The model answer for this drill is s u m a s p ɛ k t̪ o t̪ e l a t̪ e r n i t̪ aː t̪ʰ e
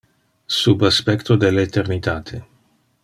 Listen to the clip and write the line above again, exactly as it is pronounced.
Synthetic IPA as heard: s u b a s p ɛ k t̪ o d̪ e l e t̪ e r n i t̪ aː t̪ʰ e